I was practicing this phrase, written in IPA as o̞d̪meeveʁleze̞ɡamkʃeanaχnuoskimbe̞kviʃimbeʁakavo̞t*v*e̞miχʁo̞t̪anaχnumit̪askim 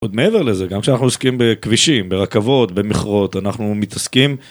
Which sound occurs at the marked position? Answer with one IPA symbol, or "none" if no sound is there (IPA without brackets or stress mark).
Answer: b